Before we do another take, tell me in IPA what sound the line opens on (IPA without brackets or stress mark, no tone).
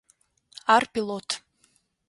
a